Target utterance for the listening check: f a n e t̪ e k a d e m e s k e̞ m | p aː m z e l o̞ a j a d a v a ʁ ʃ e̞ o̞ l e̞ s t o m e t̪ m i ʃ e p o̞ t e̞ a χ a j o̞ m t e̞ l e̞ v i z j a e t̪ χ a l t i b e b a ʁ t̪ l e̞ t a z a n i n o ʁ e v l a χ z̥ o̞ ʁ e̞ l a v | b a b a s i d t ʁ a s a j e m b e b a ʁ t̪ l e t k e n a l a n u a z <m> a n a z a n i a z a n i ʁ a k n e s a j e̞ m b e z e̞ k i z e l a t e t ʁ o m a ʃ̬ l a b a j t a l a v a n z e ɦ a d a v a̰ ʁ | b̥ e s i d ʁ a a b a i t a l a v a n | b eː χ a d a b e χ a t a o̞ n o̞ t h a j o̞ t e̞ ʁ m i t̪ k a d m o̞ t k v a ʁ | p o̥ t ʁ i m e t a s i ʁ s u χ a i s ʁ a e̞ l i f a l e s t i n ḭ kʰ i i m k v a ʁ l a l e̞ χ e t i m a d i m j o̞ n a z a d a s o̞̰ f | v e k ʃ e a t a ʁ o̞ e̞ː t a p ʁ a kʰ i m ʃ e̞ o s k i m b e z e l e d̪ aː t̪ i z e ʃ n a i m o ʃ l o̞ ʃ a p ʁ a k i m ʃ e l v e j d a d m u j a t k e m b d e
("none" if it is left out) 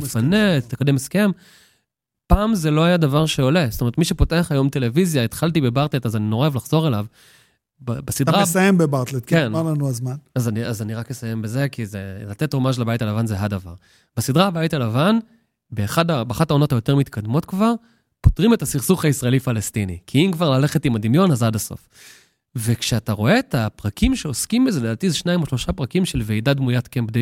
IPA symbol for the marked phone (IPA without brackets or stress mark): m